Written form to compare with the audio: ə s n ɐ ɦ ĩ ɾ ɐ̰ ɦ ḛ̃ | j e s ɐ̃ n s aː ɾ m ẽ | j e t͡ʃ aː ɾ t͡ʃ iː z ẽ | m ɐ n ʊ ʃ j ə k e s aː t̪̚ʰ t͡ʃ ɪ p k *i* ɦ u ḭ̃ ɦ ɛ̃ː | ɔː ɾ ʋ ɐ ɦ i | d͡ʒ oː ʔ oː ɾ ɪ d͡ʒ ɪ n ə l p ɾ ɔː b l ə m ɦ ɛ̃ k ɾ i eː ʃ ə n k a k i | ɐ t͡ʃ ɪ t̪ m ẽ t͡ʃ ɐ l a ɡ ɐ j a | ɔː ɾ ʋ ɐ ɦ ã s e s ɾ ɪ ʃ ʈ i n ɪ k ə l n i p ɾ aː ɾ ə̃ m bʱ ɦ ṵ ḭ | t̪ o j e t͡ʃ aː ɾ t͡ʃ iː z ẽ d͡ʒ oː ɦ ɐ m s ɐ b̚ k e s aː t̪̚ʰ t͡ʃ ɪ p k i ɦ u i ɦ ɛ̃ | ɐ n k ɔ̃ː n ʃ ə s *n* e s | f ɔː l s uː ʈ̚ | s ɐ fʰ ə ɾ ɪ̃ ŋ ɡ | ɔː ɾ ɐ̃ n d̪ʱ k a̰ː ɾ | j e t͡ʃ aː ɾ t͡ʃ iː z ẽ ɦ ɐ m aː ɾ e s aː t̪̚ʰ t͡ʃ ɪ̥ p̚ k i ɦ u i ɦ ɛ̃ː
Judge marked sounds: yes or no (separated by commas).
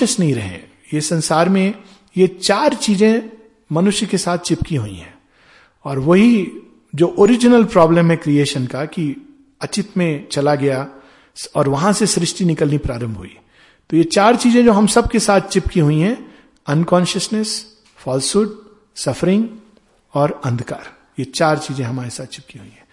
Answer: yes, yes